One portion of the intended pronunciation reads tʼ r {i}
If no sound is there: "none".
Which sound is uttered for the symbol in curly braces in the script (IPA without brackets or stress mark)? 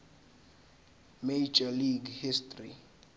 i